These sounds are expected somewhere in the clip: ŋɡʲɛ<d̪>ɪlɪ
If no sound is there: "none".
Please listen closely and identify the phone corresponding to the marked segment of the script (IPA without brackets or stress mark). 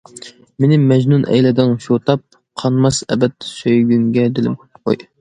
d̪